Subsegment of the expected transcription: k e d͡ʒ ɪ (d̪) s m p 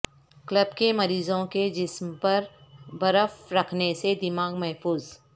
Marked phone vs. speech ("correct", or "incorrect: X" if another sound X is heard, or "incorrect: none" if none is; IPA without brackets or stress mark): incorrect: none